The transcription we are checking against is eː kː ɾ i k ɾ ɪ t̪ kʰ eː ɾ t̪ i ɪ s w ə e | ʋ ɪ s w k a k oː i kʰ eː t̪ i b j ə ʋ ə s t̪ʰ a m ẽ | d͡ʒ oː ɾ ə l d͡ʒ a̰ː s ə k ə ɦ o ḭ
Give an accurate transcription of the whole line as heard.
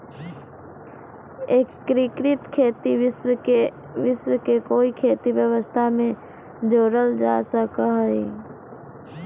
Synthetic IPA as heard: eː kː ɾ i k ɾ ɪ t̪ kʰ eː t̪ i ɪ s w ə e | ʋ ɪ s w k e k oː i kʰ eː t̪ i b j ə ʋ ə s t̪ʰ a m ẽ | d͡ʒ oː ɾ ə l d͡ʒ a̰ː s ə k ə ɦ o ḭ